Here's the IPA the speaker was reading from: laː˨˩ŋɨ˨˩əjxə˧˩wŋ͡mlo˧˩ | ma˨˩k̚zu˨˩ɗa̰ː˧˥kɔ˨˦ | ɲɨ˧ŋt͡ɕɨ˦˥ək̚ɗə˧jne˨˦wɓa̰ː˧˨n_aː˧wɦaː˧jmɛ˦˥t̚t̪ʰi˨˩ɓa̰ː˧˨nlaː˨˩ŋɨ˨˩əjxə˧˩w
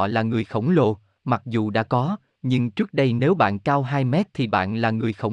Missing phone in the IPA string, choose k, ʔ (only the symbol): k